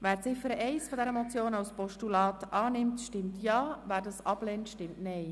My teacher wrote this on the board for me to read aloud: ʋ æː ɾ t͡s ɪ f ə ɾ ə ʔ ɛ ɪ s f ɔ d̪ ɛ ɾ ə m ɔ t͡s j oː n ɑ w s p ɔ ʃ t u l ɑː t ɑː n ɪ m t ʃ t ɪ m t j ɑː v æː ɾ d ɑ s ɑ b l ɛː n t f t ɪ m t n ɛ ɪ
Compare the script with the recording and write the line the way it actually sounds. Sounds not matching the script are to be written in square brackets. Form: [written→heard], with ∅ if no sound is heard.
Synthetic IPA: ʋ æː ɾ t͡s ɪ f ə ɾ ə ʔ ɛ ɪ s f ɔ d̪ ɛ ɾ ə m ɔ t͡s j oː n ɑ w s p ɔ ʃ t u l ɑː t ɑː n ɪ m t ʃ t ɪ m t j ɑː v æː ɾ d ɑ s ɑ b l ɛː n t [f→ʃ] t ɪ m t n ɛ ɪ